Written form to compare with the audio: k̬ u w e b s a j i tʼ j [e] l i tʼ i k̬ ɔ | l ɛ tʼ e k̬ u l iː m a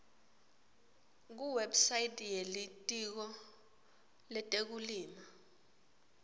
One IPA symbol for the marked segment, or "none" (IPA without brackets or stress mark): e